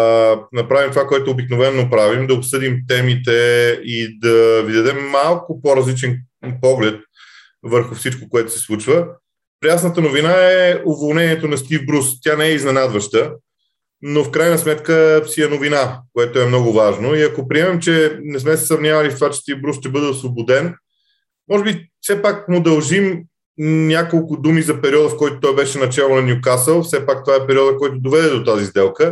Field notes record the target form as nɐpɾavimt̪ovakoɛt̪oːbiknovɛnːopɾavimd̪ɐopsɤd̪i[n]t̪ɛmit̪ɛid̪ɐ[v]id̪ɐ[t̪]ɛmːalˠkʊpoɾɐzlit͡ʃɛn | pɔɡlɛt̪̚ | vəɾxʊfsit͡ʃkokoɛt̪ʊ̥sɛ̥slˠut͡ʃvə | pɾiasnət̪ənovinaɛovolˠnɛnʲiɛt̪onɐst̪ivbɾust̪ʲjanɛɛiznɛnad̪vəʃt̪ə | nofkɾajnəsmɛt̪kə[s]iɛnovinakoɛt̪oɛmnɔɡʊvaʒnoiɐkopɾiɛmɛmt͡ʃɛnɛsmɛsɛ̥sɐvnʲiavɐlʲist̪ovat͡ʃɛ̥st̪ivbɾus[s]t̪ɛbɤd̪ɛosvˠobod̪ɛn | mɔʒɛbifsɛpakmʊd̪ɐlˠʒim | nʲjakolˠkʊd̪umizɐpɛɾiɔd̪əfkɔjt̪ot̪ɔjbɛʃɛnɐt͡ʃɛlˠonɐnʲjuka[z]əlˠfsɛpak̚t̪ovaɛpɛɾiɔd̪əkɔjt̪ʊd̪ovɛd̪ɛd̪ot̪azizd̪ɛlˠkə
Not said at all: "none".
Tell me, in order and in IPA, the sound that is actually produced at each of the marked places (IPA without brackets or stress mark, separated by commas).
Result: m, v, d̪, s, ʃ, s